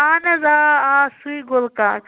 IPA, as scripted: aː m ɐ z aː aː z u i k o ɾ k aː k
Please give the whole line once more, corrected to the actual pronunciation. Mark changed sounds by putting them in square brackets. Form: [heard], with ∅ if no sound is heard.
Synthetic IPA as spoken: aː [n] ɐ z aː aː [s] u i [ɡ] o [l] k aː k